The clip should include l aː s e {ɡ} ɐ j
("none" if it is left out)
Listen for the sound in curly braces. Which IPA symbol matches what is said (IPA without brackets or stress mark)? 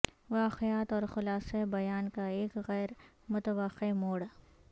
b